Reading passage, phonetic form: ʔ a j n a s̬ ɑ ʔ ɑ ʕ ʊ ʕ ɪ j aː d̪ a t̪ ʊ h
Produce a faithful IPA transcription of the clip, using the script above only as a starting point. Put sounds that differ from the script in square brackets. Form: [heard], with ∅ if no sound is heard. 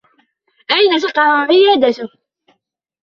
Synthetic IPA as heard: ʔ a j n a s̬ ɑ [q] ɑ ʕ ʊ ʕ ɪ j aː d̪ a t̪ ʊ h